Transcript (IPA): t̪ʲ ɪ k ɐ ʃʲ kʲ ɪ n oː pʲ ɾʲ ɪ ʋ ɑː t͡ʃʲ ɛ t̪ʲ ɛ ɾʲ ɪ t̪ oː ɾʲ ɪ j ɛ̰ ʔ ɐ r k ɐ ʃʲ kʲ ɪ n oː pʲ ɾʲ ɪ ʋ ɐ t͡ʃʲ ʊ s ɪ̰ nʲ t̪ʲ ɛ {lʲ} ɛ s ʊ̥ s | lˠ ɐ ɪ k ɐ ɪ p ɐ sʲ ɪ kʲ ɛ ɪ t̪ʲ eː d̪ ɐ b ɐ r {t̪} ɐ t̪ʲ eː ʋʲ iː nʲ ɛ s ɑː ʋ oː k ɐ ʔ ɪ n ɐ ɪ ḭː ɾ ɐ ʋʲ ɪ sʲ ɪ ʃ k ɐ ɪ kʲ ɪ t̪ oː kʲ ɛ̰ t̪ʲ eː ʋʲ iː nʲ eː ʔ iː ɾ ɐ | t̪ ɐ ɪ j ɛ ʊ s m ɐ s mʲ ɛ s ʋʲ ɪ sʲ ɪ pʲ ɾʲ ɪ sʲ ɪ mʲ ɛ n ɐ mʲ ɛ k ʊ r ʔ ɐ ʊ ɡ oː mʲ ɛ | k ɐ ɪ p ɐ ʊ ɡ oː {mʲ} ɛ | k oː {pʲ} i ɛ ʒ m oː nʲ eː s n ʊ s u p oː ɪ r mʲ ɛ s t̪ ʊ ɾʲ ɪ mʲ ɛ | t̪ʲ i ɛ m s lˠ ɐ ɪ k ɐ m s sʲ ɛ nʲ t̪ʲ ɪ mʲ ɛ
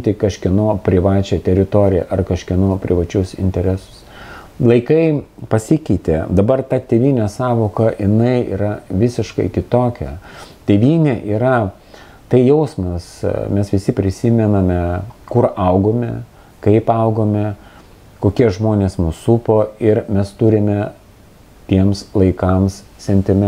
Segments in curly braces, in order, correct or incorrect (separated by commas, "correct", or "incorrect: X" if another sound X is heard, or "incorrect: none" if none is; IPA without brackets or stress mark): incorrect: ɾʲ, correct, correct, incorrect: kʲ